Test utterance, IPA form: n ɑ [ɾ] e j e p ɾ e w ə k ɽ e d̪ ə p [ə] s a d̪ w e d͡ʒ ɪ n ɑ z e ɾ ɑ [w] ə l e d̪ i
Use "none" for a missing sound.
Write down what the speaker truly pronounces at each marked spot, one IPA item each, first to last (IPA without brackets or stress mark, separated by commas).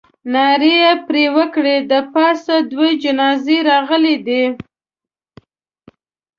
ɾ, ɑ, ɣ